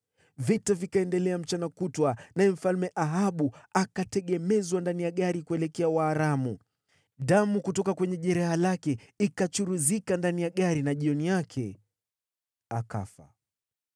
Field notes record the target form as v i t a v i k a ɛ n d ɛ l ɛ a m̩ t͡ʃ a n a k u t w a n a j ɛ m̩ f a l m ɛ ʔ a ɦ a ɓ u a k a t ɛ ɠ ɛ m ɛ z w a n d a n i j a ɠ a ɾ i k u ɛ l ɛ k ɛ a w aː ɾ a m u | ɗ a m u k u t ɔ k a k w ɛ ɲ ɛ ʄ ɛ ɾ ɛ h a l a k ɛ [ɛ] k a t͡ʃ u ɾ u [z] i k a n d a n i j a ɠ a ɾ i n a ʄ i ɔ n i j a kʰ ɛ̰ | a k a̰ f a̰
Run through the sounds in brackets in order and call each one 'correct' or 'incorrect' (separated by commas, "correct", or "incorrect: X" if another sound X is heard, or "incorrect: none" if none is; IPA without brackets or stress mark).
incorrect: i, correct